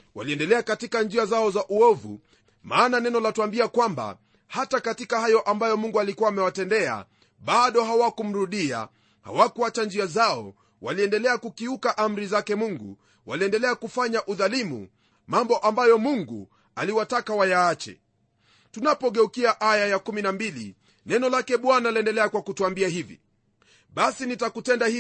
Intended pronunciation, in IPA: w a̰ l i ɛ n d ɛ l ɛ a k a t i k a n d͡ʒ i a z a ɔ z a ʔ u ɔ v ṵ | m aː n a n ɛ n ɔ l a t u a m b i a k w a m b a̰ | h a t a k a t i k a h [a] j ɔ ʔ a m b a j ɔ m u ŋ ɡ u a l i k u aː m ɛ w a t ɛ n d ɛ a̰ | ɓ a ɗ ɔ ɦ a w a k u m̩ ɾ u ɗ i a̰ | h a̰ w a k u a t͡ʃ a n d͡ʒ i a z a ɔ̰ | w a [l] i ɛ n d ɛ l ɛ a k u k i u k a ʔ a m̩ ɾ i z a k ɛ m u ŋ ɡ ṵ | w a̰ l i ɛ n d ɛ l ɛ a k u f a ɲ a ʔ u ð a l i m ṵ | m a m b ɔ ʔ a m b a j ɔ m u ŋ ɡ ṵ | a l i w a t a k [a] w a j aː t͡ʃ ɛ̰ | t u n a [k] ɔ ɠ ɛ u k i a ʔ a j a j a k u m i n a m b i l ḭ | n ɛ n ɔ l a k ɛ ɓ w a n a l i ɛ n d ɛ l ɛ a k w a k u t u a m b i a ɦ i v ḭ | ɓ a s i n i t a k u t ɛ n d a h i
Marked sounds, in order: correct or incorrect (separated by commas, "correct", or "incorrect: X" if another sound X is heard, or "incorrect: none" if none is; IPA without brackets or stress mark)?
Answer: correct, correct, correct, incorrect: p